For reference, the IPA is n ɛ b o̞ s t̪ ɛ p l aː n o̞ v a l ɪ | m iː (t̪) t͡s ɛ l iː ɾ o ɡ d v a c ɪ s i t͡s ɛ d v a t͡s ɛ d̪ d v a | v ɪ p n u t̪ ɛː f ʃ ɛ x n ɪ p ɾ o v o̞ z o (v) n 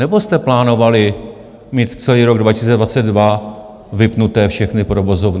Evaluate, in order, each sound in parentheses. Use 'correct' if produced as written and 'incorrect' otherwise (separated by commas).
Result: correct, correct